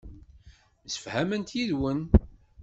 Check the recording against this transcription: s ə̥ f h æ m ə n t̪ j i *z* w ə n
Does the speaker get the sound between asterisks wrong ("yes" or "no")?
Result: yes